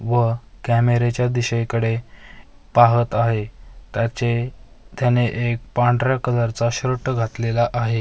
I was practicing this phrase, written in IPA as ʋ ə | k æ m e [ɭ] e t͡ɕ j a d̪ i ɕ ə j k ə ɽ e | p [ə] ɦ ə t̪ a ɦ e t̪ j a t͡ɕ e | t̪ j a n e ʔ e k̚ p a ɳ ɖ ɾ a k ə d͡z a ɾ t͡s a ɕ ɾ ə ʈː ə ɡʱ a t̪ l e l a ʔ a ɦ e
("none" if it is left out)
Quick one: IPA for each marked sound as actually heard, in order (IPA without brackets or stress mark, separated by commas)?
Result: ɾ, a